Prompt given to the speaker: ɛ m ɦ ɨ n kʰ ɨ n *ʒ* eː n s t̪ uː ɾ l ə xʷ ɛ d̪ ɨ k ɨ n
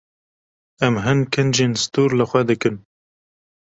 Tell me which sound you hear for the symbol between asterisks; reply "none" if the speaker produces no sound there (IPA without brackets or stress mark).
d͡ʒ